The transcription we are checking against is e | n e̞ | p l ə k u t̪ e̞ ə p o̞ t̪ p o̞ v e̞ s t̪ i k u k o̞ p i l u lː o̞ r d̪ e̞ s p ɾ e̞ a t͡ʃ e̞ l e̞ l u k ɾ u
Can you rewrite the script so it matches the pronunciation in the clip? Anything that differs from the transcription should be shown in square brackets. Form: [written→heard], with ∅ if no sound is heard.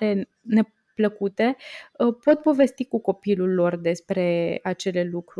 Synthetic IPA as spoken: e | n e̞ | p l ə k u t̪ e̞ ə p o̞ t̪ p o̞ v e̞ s t̪ i k u k o̞ p i l u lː o̞ r d̪ e̞ s p ɾ e̞ a t͡ʃ e̞ l e̞ l u k ɾ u